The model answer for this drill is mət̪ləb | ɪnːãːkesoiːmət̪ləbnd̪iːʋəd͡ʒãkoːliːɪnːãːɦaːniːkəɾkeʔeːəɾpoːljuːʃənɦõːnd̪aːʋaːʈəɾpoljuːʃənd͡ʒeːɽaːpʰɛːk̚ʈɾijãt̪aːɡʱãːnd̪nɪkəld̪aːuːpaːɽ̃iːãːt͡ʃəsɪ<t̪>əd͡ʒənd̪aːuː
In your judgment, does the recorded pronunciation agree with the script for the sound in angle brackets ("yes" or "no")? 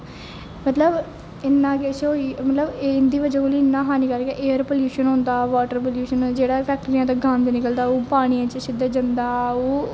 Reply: no